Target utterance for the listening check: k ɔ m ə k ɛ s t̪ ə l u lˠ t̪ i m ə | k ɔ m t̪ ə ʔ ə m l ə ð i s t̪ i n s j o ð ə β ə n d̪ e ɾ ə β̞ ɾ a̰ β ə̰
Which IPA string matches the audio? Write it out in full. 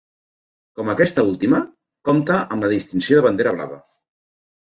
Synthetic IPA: k ɔ m ə k ɛ s t̪ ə u lˠ t̪ i m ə | k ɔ m t̪ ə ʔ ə m l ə ð i s t̪ i n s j o ð ə β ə n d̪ e ɾ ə β̞ l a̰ β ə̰